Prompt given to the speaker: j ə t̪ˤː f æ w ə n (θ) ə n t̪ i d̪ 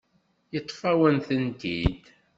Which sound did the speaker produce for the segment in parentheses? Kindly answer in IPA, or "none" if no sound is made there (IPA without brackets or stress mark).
θ